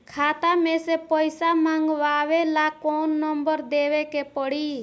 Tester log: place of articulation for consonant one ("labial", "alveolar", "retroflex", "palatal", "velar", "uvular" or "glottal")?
velar